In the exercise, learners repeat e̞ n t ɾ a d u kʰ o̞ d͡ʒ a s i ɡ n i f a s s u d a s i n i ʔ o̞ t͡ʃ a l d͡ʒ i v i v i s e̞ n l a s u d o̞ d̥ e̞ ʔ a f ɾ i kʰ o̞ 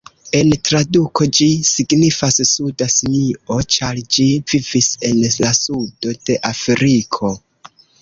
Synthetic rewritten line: e̞ n t ɾ a d u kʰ o̞ d͡ʒ i s i ɡ n i f a s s u d a s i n i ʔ o̞ t͡ʃ a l d͡ʒ i v i v i s e̞ n l a s u d o̞ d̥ e̞ ʔ a f ɾ i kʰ o̞